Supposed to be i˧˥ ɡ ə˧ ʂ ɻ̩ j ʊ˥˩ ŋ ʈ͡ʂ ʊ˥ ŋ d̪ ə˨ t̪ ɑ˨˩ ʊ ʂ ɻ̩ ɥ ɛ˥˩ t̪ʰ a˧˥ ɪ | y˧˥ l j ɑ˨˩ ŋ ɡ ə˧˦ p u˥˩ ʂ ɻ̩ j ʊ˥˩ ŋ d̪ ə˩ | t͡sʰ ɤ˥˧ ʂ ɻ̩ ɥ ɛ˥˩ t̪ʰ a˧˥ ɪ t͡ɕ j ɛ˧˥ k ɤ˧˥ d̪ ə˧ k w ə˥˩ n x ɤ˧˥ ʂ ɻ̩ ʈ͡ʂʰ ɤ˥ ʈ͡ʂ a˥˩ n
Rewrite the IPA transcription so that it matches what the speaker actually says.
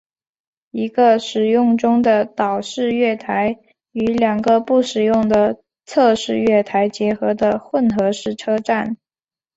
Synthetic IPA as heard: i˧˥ ɡ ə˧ ʂ ɻ̩ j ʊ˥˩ ŋ ʈ͡ʂ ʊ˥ ŋ d̪ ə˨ t̪ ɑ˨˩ ʊ ʂ ɻ̩ ɥ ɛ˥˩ t̪ʰ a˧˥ ɪ | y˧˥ l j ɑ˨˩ ŋ ɡ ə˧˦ p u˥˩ ʂ ɻ̩ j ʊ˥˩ ŋ d̪ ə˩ | t͡sʰ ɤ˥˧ ʂ ɻ̩ ɥ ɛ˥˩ t̪ʰ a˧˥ ɪ t͡ɕ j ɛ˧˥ x ɤ˧˥ d̪ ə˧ x w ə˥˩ n x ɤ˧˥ ʂ ɻ̩ ʈ͡ʂʰ ɤ˥ ʈ͡ʂ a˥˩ n